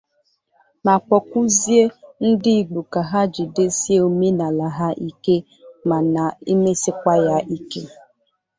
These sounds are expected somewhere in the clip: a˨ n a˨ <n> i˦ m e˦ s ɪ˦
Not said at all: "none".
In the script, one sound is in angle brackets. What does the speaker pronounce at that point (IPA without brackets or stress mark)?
none